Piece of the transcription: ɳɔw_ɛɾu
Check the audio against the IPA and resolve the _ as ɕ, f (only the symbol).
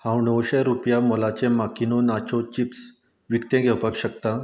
ɕ